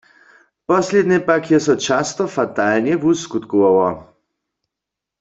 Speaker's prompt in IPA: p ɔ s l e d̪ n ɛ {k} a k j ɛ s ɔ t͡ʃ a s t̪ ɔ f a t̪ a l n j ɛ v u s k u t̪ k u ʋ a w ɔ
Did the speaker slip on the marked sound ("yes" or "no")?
yes